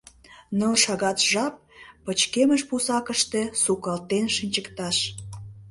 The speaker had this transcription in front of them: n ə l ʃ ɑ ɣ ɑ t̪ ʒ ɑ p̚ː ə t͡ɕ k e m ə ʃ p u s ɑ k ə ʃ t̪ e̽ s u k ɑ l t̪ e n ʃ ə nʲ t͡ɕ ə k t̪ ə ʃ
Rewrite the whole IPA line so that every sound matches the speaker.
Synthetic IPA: n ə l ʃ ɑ ɣ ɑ t̪ ʒ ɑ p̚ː ə t͡ɕ k e m ə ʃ p u s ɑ k ə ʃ t̪ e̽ s u k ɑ l t̪ e n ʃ ə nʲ t͡ɕ ə k t̪ ɑ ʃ